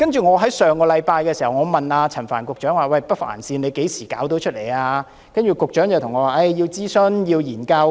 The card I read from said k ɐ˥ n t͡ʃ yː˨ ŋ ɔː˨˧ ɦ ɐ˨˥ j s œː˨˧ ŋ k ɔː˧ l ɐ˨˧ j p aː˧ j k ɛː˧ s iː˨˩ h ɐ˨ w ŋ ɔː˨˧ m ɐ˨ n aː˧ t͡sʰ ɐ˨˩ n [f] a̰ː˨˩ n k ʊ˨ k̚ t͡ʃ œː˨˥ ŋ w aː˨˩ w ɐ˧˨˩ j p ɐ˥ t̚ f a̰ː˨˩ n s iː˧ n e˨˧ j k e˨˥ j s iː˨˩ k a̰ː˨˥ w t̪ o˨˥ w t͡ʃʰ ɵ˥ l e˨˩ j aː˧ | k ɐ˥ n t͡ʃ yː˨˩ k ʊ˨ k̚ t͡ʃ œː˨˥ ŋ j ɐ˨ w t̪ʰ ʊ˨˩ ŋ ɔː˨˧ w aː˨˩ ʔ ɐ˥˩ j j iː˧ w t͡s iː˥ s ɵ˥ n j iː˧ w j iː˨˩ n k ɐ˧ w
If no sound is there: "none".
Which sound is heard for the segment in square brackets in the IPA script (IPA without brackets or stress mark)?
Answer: f